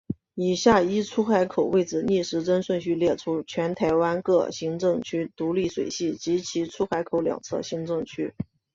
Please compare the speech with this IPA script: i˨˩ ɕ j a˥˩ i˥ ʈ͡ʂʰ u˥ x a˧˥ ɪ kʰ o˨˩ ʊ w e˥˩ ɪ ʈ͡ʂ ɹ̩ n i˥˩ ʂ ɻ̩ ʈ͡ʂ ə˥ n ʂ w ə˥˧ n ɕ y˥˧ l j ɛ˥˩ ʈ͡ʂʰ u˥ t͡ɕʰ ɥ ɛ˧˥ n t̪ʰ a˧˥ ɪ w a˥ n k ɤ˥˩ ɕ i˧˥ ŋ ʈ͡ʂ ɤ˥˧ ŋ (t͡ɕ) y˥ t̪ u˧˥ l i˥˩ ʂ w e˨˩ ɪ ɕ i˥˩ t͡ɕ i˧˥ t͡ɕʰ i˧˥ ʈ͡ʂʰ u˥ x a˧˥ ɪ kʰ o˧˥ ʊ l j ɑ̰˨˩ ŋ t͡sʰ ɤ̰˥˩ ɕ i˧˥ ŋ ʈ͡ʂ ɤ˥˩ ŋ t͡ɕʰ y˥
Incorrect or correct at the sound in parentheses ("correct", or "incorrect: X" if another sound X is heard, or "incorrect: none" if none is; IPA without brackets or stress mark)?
incorrect: t͡ɕʰ